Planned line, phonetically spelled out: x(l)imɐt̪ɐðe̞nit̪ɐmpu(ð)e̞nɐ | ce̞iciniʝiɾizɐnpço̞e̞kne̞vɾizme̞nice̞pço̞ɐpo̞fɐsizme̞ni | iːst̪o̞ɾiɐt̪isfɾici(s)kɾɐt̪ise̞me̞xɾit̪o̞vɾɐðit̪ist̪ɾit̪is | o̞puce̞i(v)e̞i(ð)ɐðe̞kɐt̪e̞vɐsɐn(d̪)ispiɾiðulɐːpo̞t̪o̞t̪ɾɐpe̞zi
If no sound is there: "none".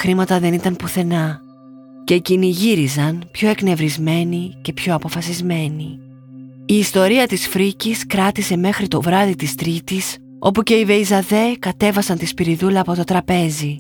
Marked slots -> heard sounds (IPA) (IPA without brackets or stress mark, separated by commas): ɾ, θ, s, v, z, t̪